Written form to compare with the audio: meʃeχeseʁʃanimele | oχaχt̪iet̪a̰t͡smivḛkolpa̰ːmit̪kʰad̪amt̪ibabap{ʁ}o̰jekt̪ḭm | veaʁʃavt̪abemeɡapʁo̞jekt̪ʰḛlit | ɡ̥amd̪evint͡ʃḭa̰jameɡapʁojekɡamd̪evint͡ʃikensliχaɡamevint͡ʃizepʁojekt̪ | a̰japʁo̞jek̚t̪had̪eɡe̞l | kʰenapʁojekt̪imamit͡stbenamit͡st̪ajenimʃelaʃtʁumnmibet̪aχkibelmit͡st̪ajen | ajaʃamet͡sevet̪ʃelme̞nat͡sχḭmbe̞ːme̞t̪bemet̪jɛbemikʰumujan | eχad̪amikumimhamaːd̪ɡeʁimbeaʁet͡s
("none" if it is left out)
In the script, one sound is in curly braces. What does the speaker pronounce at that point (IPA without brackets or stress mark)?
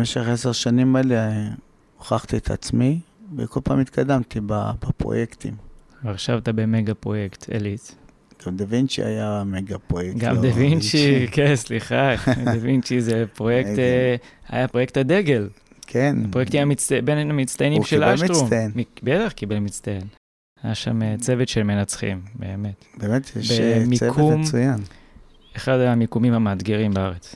ʁ